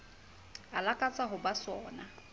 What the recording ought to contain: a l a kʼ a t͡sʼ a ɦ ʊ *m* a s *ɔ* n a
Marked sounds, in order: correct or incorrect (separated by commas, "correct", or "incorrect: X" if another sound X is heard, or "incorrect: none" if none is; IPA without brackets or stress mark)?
incorrect: b, incorrect: ɔː